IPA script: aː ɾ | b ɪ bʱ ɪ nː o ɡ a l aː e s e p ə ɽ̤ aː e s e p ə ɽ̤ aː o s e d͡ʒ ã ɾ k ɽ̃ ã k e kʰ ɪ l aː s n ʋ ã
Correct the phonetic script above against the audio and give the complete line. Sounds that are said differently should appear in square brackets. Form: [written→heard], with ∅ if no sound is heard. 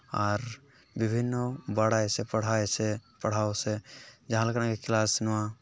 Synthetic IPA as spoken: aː ɾ | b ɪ bʱ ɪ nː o [ɡ→b] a [l→ɽ] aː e s e p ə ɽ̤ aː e s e p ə ɽ̤ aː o s e d͡ʒ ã [ɾ→l] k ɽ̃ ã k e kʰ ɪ l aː s n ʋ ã